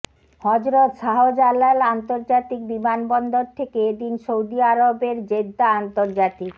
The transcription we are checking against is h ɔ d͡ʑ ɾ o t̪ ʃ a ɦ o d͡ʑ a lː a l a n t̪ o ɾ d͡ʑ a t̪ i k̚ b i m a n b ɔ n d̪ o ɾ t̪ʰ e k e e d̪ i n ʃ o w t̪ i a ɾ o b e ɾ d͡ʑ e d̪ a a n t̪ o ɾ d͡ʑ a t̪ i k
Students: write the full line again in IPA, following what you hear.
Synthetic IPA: h ɔ d͡ʑ ɾ o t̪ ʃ a ɦ o d͡ʑ a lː a l a n t̪ o ɾ d͡ʑ a t̪ i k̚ b i m a n b ɔ n d̪ o ɾ t̪ʰ e k e e d̪ i n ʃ o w d̪ i a ɾ o b e ɾ d͡ʑ e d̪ a a n t̪ o ɾ d͡ʑ a t̪ i k